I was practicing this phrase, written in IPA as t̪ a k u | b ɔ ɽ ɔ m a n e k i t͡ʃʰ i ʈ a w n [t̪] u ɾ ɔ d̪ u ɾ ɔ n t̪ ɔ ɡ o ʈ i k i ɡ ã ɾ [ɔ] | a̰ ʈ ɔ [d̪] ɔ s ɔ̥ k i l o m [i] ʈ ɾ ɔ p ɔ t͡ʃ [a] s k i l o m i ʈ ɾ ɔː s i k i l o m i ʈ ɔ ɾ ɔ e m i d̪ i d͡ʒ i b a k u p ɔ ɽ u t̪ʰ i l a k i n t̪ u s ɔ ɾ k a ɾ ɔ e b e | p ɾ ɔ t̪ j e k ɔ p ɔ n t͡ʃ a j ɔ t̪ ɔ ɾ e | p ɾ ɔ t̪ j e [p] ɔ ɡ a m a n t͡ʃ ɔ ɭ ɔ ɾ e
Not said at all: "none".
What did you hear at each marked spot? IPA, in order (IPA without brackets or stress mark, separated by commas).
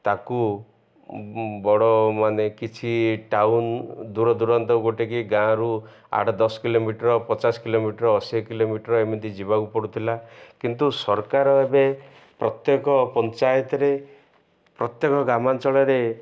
d̪, u, d̪, i, a, k